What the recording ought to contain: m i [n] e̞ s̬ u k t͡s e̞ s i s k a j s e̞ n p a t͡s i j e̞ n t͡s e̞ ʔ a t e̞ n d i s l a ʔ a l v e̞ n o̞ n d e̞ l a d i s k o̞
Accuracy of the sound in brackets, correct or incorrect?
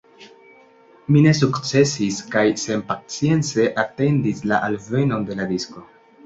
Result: correct